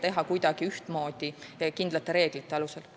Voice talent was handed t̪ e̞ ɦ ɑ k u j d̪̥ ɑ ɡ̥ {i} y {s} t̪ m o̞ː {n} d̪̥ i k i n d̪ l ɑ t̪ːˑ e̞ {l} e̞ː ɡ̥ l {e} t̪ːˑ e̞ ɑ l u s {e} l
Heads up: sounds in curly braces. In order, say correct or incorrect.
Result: correct, incorrect: h, incorrect: none, incorrect: ɾ, incorrect: i, correct

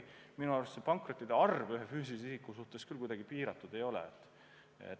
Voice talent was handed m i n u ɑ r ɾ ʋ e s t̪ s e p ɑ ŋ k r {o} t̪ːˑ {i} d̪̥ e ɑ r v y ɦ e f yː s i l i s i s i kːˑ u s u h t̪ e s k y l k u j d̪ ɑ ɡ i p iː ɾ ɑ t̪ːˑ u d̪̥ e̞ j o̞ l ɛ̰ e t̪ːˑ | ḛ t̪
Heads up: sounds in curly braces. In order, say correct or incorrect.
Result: correct, correct

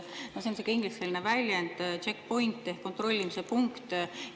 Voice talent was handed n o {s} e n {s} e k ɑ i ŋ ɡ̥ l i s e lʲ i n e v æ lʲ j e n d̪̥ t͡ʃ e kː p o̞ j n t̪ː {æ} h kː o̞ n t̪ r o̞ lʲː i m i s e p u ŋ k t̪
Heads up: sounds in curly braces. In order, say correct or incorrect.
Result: correct, correct, incorrect: e

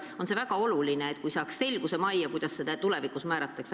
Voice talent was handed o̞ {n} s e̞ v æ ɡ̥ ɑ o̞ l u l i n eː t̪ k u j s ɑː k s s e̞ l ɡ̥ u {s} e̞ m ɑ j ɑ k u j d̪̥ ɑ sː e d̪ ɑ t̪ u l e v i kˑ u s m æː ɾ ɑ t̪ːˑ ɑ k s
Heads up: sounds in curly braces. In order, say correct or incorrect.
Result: correct, correct

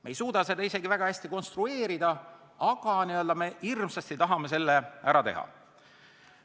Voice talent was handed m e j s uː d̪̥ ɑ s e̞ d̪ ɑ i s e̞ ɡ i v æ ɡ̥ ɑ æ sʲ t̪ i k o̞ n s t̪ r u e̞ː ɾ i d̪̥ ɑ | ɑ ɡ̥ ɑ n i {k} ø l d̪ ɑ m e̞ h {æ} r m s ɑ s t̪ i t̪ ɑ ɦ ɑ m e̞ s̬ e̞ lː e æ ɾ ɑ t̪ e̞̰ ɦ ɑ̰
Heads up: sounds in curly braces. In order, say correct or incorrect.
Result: incorrect: none, incorrect: i

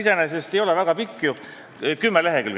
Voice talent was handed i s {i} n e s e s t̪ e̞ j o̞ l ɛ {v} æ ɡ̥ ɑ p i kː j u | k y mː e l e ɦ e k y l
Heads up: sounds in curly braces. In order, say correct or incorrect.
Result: incorrect: e, correct

